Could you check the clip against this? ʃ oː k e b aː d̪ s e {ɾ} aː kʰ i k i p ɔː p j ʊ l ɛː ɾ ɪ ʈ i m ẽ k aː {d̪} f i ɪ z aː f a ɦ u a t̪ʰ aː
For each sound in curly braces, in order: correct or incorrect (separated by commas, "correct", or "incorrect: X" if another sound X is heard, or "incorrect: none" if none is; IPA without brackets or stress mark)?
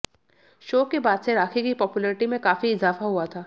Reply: correct, incorrect: none